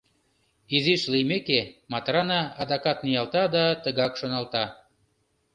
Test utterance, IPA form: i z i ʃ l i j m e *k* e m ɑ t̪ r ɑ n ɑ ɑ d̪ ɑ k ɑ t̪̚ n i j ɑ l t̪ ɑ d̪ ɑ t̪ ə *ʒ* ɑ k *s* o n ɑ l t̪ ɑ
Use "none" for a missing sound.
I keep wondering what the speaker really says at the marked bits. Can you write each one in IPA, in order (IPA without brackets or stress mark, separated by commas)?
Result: k, ɣ, ʃ